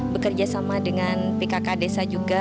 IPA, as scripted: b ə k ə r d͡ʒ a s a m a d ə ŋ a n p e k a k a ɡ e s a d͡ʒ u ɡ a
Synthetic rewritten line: b ə k ə r d͡ʒ a s a m a d ə ŋ a n p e k a k a d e s a d͡ʒ u ɡ a

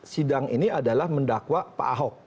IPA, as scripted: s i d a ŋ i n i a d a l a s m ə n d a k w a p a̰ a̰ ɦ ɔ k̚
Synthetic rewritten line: s i d a ŋ i n i a d a l a h m ə n d a k w a p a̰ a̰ ɦ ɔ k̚

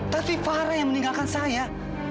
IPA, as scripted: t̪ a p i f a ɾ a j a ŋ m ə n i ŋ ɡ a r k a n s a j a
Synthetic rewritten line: t̪ a p i f a ɾ a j a ŋ m ə n i ŋ ɡ a l k a n s a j a

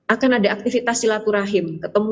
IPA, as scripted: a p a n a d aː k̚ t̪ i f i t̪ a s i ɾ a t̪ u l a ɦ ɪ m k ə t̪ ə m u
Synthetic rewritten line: a k a n a d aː k̚ t̪ i f i t̪ a s i l a t̪ u ɾ a ɦ ɪ m k ə t̪ ə m u

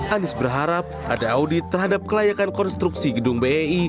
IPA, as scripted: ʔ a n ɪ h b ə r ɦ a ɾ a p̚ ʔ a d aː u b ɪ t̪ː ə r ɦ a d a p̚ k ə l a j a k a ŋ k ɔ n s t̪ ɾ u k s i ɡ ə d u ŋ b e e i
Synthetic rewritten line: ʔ a n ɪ s b ə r ɦ a ɾ a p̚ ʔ a d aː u d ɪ t̪ː ə r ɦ a d a p̚ k ə l a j a k a n k ɔ n s t̪ ɾ u k s i ɡ ə d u ŋ b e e i

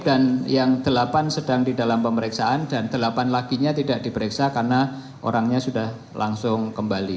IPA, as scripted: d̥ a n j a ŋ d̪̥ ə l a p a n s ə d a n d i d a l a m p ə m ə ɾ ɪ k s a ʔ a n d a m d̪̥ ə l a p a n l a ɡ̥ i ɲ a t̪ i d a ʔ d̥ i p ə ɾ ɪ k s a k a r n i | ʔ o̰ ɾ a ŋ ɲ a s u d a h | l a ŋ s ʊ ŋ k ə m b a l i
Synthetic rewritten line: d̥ a n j a ŋ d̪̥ ə l a p a n s ə d a ŋ d i d a l a m p ə m ə ɾ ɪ k s a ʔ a n d a n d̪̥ ə l a p a n l a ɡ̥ i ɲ a t̪ i d a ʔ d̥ i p ə ɾ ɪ k s a k a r n a | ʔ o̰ ɾ a ŋ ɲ a s u d a h | l a ŋ s ʊ ŋ k ə m b a l i

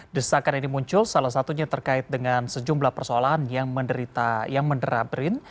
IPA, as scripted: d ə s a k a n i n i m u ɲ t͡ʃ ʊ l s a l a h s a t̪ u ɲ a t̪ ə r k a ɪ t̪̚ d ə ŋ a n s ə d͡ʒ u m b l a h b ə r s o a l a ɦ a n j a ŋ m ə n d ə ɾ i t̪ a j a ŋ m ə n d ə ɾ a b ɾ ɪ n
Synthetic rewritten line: d ə s a k a n i n i m u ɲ t͡ʃ ʊ l s a l a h s a t̪ u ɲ a t̪ ə r k a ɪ t̪̚ d ə ŋ a n s ə d͡ʒ u m b l a h p ə r s o a l a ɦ a n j a ŋ m ə n d ə ɾ i t̪ a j a ŋ m ə n d ə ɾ a b ɾ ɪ n

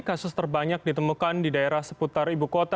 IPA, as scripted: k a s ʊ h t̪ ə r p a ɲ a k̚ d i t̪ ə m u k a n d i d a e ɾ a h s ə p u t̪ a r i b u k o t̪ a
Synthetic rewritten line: k a s ʊ s t̪ ə r b a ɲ a k̚ d i t̪ ə m u k a n d i d a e ɾ a h s ə p u t̪ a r i b u k o t̪ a

